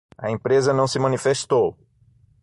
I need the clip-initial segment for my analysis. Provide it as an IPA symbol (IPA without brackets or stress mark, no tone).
ɐ